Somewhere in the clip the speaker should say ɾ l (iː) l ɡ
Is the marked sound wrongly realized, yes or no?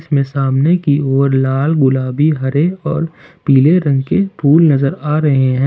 yes